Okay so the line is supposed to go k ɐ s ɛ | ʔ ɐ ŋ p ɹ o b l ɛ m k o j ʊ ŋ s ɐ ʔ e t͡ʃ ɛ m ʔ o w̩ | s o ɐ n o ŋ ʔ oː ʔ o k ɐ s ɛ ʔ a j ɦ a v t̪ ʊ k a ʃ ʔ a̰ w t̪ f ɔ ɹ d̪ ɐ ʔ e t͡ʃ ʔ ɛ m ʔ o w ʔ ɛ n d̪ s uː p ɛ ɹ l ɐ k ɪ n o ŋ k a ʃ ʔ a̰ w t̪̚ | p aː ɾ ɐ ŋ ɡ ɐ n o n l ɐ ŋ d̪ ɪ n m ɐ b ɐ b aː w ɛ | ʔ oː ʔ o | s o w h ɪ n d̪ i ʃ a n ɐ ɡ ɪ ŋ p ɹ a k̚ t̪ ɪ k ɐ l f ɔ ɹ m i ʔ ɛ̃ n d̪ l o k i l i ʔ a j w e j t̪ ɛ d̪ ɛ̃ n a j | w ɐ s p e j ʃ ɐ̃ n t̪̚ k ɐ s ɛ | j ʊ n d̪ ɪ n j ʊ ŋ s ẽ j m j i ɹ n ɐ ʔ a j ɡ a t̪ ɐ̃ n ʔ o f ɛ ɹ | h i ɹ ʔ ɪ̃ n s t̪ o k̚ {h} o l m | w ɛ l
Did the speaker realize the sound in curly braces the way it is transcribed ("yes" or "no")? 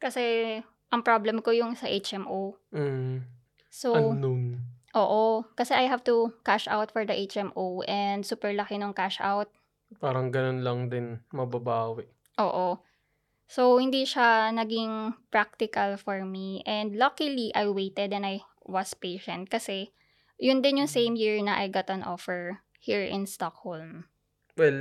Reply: yes